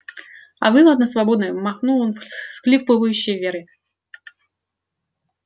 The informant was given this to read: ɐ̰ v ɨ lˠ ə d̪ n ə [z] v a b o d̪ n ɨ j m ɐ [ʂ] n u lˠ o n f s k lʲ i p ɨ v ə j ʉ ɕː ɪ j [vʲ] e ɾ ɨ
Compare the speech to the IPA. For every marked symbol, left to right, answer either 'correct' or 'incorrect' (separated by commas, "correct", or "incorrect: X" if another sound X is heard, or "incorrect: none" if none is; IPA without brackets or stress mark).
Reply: incorrect: s, incorrect: x, correct